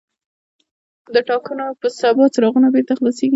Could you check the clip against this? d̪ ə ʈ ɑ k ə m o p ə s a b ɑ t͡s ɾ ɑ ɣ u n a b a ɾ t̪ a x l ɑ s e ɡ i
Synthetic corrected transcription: d̪ ə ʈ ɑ k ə n o p ə s a b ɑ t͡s ɾ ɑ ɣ u n a b e ɾ t̪ a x l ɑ s e ɡ i

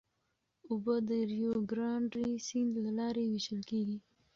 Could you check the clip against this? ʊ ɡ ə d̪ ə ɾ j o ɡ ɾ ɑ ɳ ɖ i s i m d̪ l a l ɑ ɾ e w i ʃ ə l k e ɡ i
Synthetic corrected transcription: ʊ b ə d̪ ə ɾ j o ɡ ɾ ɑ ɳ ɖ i s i n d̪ l a l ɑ ɾ e w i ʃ ə l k e ɡ i

